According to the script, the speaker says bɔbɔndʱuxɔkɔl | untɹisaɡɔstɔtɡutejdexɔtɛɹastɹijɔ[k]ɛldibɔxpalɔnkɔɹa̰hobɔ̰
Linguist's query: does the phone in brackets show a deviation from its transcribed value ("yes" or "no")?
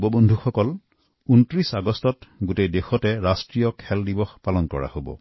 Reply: yes